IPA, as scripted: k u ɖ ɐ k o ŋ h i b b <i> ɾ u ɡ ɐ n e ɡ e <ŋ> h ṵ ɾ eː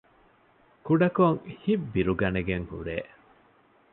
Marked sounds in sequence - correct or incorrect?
correct, correct

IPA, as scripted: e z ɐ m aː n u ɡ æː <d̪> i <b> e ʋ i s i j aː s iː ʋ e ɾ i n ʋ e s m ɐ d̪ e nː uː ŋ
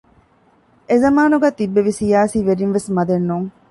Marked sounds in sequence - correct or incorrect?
incorrect: t̪, incorrect: bː

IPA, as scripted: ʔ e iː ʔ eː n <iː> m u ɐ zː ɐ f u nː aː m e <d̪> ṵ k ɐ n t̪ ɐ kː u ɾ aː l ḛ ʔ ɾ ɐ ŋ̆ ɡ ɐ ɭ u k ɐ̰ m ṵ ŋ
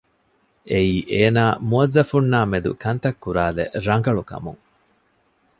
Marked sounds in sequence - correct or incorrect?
incorrect: aː, correct

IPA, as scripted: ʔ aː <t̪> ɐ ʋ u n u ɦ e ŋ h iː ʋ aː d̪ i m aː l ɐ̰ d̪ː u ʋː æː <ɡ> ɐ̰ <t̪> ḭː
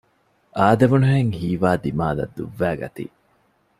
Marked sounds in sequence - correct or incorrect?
incorrect: d̪, correct, correct

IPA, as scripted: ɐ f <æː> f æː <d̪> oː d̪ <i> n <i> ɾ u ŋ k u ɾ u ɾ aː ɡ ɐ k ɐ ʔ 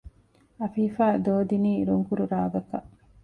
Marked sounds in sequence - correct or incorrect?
incorrect: iː, correct, correct, incorrect: iː

